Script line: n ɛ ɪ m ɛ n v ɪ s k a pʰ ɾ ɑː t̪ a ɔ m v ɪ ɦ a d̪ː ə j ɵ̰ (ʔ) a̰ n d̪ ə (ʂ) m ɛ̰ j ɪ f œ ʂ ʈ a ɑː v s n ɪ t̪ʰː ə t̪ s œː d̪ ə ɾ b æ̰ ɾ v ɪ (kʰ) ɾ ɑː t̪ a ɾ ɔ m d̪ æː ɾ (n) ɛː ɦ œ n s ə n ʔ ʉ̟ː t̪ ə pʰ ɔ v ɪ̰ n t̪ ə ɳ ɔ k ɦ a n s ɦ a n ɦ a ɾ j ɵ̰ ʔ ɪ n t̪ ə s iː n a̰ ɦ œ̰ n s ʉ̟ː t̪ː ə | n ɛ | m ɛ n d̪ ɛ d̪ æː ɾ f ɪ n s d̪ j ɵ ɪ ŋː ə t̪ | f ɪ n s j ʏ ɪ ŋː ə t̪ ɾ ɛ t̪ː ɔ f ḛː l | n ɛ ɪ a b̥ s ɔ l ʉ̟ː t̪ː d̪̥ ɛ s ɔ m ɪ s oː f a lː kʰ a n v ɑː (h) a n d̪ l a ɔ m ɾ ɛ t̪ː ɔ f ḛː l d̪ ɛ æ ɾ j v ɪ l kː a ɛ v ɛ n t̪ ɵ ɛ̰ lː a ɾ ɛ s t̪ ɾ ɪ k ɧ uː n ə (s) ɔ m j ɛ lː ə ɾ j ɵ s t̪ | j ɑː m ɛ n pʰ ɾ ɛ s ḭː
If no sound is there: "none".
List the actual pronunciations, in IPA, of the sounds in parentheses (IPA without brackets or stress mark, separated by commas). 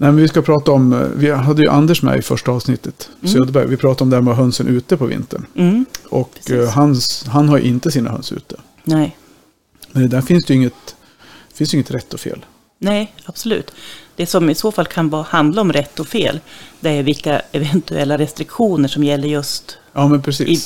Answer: ʔ, ʂ, pʰ, m, h, ʂ